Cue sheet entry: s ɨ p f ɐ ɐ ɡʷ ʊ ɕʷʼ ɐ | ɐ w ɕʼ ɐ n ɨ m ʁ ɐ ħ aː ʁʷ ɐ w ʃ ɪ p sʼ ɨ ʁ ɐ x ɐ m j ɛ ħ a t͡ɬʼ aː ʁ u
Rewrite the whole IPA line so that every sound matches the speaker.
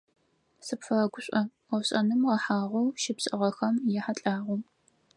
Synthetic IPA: s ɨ p f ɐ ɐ ɡʷ ʊ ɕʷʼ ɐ | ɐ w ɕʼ ɐ n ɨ m ʁ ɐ ħ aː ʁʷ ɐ w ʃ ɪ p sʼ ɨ ʁ ɐ x ɐ m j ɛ ħ a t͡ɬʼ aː ʁ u